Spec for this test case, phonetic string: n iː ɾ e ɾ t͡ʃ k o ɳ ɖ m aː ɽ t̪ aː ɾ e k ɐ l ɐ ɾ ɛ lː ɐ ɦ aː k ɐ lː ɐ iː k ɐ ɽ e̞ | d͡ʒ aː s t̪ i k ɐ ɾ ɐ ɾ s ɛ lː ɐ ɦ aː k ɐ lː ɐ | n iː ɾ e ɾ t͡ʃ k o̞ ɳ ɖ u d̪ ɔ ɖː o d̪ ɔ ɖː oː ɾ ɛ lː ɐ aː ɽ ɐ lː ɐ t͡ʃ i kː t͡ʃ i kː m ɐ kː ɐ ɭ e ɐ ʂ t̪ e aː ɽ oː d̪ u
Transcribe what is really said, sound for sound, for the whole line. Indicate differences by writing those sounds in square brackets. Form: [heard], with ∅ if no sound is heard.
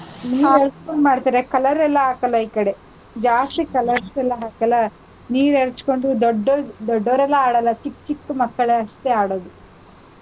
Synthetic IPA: n iː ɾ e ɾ t͡ʃ k o ɳ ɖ m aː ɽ t̪ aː ɾ e k ɐ l ɐ ɾ ɛ lː ɐ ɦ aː k ɐ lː ɐ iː k ɐ ɽ e̞ | d͡ʒ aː s t̪ i k ɐ [l] ɐ ɾ s ɛ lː ɐ ɦ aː k ɐ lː ɐ | n iː ɾ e ɾ t͡ʃ k o̞ ɳ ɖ u d̪ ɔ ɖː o d̪ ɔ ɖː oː ɾ ɛ lː ɐ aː ɽ ɐ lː ɐ t͡ʃ i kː t͡ʃ i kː m ɐ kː ɐ ɭ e ɐ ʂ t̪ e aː ɽ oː d̪ u